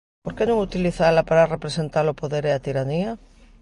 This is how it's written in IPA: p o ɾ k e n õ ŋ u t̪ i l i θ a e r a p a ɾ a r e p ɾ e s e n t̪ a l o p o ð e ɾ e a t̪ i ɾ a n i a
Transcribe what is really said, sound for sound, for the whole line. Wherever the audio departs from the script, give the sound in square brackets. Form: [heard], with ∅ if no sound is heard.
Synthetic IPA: p o ɾ k e n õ ŋ u t̪ i l i θ a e [l] a p a ɾ a r e p ɾ e s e n t̪ a l o p o ð e ɾ e a t̪ i ɾ a n i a